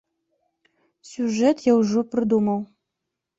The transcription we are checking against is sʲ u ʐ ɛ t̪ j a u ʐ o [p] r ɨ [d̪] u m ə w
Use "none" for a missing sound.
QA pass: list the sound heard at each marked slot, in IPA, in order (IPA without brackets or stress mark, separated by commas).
p, d̪